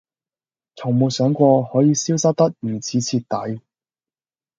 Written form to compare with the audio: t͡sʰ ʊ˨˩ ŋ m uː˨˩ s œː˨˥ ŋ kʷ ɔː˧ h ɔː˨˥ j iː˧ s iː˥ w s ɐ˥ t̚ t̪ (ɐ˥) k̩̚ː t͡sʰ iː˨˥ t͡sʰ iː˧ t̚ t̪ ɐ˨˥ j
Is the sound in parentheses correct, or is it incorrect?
correct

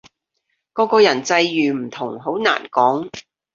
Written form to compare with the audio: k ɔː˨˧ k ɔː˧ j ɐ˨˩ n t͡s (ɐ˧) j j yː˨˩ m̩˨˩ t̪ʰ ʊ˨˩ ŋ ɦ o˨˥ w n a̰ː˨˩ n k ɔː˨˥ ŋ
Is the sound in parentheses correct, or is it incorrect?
correct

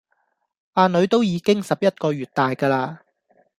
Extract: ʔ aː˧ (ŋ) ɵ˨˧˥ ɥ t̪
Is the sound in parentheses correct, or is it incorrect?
incorrect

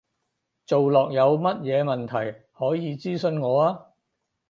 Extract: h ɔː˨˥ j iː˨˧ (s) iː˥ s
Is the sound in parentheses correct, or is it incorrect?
incorrect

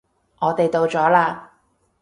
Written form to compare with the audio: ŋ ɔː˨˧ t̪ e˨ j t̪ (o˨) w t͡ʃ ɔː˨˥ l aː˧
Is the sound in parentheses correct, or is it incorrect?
correct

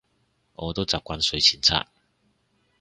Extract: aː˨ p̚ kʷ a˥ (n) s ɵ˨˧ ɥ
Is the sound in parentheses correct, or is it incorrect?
correct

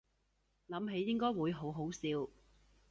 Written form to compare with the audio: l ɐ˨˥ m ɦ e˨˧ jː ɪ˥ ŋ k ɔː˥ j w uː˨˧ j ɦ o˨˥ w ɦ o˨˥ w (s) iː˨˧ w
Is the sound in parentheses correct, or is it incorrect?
correct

